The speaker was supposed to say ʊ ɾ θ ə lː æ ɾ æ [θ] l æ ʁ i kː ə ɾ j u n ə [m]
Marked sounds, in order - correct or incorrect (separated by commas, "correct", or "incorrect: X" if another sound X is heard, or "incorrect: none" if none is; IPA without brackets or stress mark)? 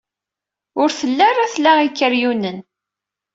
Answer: correct, incorrect: n